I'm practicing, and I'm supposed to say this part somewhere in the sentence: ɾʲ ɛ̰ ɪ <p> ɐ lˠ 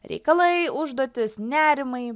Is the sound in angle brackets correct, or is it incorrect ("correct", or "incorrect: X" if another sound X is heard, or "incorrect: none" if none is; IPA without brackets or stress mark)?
incorrect: k